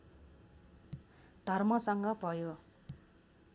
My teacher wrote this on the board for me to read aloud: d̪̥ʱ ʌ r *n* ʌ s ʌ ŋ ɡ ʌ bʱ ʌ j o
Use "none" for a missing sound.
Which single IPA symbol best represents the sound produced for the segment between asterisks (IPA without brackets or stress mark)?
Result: m